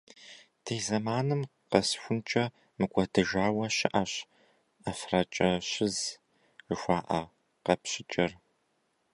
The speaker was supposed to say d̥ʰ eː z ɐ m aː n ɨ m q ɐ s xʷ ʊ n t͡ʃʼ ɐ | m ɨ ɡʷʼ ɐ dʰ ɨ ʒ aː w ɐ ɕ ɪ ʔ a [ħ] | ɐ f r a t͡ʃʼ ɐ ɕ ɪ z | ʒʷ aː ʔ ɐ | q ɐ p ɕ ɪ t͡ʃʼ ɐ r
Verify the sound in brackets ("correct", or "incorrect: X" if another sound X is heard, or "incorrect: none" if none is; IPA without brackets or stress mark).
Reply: incorrect: ɕ